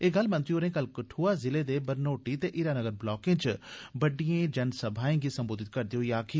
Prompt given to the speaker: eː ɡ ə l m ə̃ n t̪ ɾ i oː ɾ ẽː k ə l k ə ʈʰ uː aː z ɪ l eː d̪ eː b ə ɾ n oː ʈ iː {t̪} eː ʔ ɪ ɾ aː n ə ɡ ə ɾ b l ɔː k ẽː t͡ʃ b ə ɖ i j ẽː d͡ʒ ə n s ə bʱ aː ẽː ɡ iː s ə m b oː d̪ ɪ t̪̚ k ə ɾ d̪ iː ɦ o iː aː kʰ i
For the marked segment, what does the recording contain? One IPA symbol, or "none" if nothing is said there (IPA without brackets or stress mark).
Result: t̪